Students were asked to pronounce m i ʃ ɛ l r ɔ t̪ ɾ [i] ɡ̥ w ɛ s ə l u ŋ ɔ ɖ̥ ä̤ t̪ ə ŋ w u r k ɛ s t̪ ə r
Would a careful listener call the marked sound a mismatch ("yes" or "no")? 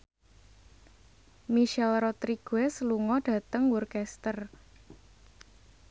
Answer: no